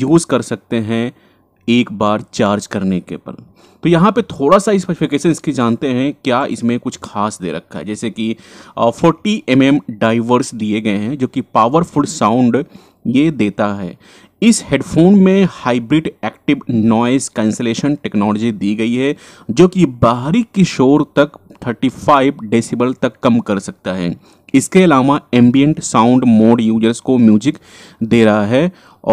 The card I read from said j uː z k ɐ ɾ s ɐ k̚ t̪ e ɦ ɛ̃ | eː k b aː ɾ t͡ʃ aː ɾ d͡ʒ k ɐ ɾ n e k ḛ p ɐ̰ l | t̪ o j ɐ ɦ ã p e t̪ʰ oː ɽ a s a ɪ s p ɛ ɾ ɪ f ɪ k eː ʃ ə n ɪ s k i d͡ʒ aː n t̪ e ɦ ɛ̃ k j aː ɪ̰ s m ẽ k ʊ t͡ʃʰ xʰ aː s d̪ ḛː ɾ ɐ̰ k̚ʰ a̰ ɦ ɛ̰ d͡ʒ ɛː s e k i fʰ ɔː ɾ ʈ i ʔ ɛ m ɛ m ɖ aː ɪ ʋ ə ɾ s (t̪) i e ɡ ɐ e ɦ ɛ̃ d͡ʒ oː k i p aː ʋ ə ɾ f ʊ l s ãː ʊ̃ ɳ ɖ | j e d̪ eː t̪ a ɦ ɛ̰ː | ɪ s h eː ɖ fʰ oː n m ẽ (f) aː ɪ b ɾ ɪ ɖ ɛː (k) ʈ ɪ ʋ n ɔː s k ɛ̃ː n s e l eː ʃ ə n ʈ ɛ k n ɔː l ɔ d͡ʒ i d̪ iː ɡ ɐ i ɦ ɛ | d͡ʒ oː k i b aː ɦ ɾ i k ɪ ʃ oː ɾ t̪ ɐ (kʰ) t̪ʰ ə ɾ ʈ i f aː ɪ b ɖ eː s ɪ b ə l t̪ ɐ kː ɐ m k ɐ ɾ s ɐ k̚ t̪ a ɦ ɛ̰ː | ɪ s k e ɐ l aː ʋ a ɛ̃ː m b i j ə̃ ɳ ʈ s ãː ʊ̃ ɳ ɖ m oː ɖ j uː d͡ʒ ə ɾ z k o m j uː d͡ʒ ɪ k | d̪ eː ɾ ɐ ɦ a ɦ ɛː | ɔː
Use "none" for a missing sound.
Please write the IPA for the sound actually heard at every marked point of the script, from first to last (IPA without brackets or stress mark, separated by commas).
d̪, h, k, k